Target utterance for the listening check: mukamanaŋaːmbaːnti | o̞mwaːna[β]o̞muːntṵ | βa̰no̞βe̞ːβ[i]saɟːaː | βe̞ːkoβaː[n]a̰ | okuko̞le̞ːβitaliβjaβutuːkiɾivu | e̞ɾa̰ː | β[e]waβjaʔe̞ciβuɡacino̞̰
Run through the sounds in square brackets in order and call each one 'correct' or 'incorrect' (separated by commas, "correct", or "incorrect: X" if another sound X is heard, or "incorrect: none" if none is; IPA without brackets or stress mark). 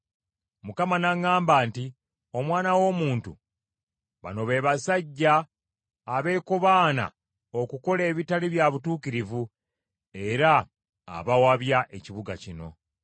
incorrect: w, incorrect: a, correct, incorrect: a